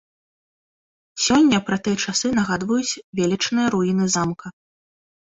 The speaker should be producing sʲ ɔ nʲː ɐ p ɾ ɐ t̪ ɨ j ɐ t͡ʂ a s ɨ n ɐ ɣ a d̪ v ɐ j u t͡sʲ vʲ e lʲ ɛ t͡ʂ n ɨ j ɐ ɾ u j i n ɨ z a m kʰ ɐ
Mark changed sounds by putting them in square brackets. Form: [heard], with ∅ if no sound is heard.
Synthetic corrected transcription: sʲ ɔ nʲː ɐ p ɾ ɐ t̪ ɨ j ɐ t͡ʂ a s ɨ n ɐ ɣ a d̪ v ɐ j u t͡sʲ vʲ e lʲ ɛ t͡ʂ n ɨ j ɐ ɾ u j i n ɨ z a m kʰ ɐ